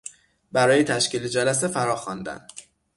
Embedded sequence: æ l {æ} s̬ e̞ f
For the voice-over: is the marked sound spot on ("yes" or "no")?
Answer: yes